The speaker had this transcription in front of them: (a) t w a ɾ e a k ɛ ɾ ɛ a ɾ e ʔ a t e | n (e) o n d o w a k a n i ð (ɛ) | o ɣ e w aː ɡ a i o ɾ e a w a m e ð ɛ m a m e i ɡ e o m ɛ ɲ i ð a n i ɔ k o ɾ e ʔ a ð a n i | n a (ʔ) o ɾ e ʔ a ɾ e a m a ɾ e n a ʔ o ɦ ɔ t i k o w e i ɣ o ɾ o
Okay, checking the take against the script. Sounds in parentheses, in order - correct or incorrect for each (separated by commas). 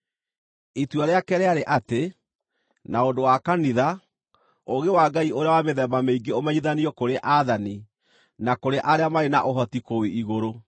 incorrect, incorrect, incorrect, incorrect